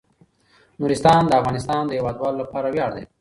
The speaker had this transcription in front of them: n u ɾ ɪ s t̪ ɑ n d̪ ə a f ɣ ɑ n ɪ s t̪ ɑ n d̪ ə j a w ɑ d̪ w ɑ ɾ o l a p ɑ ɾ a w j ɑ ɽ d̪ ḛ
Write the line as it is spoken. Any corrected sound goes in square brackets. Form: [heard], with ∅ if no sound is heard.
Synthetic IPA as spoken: n u ɾ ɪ s t̪ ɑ n d̪ ə a f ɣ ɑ n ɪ s t̪ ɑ n d̪ ə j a w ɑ d̪ w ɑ [l] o l a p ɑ ɾ a w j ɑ ɽ d̪ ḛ